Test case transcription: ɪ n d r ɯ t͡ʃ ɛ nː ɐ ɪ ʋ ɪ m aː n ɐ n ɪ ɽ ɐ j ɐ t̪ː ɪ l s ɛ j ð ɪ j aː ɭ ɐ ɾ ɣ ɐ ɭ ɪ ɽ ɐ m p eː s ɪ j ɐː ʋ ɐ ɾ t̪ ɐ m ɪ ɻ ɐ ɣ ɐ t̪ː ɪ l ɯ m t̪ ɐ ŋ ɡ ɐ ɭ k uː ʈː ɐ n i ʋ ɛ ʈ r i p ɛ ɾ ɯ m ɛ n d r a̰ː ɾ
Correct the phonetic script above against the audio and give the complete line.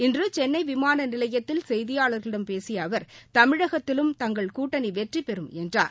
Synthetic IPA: ɪ n d r ɯ t͡ʃ ɛ nː ɐ ɪ ʋ ɪ m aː n ɐ n ɪ l ɐ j ɐ t̪ː ɪ l s ɛ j ð ɪ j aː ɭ ɐ ɾ ɣ ɐ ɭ ɪ ɽ ɐ m p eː s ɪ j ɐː ʋ ɐ ɾ t̪ ɐ m ɪ ɻ ɐ ɣ ɐ t̪ː ɪ l ɯ m t̪ ɐ ŋ ɡ ɐ ɭ k uː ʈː ɐ n i ʋ ɛ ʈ r i p ɛ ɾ ɯ m ɛ n d r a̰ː ɾ